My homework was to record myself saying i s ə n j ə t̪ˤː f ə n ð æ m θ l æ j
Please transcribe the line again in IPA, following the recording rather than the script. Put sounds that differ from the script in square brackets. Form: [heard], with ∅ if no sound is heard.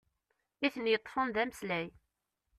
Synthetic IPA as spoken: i [θ] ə n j ə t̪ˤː f ə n ð æ m [s] l æ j